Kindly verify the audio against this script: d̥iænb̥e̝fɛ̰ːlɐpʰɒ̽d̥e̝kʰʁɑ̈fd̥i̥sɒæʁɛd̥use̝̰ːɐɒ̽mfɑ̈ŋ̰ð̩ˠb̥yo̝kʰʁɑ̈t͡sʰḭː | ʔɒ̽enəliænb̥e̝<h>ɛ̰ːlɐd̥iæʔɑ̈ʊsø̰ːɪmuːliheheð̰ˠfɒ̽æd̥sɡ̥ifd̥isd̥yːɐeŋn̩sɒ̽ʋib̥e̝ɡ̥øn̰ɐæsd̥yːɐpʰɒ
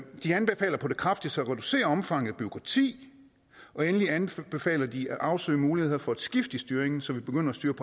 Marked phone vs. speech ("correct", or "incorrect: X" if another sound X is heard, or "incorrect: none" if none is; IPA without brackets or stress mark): incorrect: f